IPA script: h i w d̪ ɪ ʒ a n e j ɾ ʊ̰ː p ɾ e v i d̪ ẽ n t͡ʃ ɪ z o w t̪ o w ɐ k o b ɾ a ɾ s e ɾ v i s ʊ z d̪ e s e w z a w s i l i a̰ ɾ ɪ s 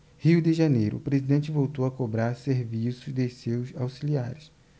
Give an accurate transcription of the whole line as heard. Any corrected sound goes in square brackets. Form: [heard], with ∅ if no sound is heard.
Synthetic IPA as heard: h i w d̪ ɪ ʒ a n e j ɾ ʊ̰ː p ɾ e [z] i d̪ ẽ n t͡ʃ ɪ [v] o w t̪ o w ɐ k o b ɾ a ɾ s e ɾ v i s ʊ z d̪ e s e w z a w s i l i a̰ ɾ ɪ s

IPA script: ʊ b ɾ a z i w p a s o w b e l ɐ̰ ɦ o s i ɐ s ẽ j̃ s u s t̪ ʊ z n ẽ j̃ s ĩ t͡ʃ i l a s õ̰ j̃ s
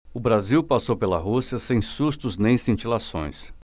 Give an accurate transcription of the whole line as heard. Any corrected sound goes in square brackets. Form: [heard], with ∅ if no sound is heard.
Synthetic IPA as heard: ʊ b ɾ a z i w p a s o w [p] e l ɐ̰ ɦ [u] s i ɐ s ẽ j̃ s u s t̪ ʊ z n ẽ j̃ s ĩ t͡ʃ i l a s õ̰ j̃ s

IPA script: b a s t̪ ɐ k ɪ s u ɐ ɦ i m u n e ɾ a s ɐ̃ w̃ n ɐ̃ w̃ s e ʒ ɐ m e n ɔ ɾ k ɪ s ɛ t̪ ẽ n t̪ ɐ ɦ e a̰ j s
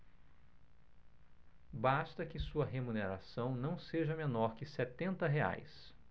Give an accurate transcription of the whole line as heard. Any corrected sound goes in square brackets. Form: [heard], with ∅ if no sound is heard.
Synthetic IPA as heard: b a s t̪ ɐ k ɪ s u ɐ ɦ [e] m u n e ɾ a s ɐ̃ w̃ n ɐ̃ w̃ s e ʒ ɐ m e n ɔ ɾ k ɪ s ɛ t̪ ẽ n t̪ ɐ ɦ e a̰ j s

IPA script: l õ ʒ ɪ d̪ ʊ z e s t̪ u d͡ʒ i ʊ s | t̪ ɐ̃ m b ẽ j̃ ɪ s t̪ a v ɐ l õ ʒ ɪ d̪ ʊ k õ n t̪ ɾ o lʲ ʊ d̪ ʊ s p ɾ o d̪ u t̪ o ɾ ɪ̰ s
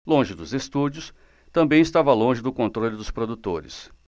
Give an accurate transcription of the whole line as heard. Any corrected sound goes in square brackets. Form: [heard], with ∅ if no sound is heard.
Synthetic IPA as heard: l õ ʒ ɪ d̪ ʊ z e s t̪ u d͡ʒ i ʊ s | t̪ ɐ̃ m b ẽ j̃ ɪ s t̪ a v ɐ l õ ʒ ɪ d̪ ʊ k õ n t̪ ɾ o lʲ ʊ d̪ ʊ s p ɾ o d̪ u t̪ o ɾ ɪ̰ s

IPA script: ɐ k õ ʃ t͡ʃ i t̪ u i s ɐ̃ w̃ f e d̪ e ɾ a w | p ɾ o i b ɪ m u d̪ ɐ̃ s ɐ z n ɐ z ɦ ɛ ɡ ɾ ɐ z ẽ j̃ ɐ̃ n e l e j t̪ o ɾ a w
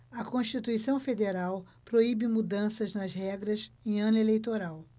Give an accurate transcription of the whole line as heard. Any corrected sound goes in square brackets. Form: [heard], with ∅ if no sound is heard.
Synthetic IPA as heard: ɐ k õ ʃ t͡ʃ i t̪ u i s ɐ̃ w̃ f e d̪ e ɾ a w | p ɾ o i b ɪ m u d̪ ɐ̃ s ɐ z n ɐ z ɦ ɛ ɡ ɾ ɐ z ẽ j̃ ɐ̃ n e l e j t̪ o ɾ a w

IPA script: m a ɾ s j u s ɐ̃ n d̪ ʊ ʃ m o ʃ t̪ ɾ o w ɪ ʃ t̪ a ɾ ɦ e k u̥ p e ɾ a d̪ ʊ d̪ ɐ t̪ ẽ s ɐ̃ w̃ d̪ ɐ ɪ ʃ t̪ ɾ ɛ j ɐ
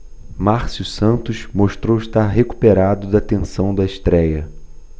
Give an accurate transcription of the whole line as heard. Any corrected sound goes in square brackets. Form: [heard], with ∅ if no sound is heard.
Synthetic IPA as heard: m a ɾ s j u s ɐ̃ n [t̪] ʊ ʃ m o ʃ t̪ ɾ o w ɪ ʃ t̪ a ɾ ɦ e k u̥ p e ɾ a d̪ ʊ d̪ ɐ t̪ ẽ s ɐ̃ w̃ d̪ ɐ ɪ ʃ t̪ ɾ ɛ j ɐ

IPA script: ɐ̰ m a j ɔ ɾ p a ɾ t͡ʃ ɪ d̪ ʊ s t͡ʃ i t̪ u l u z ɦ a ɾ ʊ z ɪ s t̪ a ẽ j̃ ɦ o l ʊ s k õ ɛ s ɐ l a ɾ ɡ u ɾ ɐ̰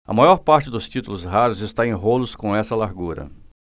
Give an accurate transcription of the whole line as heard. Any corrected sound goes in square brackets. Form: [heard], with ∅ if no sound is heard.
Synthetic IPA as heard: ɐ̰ m a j ɔ ɾ p a ɾ t͡ʃ ɪ d̪ ʊ s t͡ʃ i t̪ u l [ʊ] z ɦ a ɾ ʊ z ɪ s t̪ a ẽ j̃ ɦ o l ʊ s k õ ɛ s ɐ l a ɾ ɡ u ɾ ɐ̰

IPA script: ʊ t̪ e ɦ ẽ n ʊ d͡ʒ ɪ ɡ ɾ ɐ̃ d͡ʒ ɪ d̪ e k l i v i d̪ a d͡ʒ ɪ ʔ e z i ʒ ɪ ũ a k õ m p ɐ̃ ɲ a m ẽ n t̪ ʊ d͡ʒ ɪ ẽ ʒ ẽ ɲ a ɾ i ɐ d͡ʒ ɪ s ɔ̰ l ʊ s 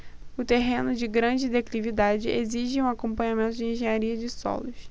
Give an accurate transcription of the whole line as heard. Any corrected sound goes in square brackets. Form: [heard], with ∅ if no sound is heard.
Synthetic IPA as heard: ʊ t̪ e ɦ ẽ n ʊ d͡ʒ ɪ ɡ ɾ ɐ̃ d͡ʒ ɪ d̪ e k l i v i d̪ a d͡ʒ ɪ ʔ e z i ʒ ɪ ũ a k õ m p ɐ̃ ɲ a m ẽ n t̪ ʊ d͡ʒ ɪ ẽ ʒ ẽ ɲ a ɾ i ɐ d͡ʒ ɪ s ɔ̰ l ʊ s

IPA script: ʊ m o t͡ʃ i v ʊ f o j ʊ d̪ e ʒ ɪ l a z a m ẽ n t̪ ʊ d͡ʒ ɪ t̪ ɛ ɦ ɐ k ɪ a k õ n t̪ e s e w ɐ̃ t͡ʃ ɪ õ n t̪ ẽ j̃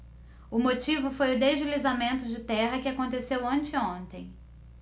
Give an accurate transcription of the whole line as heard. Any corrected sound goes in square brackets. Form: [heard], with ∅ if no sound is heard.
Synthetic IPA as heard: ʊ m o t͡ʃ i v ʊ f o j ʊ d̪ e ʒ ɪ l [i] z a m ẽ n t̪ ʊ d͡ʒ ɪ t̪ ɛ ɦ ɐ k ɪ a k õ n t̪ e s e w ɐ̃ t͡ʃ ɪ õ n t̪ ẽ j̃

